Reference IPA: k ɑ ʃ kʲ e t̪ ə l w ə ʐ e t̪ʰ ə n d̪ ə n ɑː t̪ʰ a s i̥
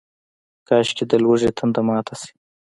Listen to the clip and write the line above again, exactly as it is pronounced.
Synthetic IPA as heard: k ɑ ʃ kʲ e d̪ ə l w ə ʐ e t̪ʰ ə n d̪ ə m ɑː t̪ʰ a s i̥